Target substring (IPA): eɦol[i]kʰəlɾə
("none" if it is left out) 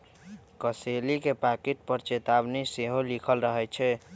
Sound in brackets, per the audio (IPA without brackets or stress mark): i